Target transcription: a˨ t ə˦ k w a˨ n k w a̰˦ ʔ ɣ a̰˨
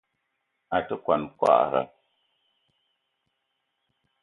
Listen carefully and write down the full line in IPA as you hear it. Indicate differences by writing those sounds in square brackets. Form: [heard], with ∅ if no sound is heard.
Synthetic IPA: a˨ t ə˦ k w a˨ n k w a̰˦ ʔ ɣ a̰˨